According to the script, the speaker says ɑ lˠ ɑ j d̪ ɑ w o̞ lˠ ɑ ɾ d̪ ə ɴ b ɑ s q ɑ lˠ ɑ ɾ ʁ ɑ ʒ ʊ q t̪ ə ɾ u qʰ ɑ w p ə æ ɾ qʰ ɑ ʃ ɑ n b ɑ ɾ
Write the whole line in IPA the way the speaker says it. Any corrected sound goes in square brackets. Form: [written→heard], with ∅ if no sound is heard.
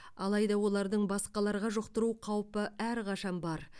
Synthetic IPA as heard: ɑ lˠ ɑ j d̪ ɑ w o̞ lˠ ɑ ɾ d̪ ə ɴ b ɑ s q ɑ lˠ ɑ ɾ ʁ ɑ ʒ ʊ q t̪ ə ɾ u qʰ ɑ w p ə æ ɾ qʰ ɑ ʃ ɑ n b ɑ ɾ